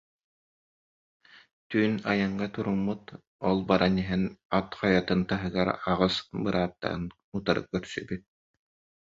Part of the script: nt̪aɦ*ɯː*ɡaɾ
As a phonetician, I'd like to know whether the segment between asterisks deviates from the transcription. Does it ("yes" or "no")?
yes